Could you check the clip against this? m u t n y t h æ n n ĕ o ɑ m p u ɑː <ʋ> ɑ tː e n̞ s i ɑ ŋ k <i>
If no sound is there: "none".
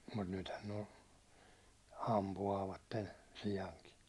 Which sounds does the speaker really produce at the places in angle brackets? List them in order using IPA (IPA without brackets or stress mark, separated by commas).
ʋ, i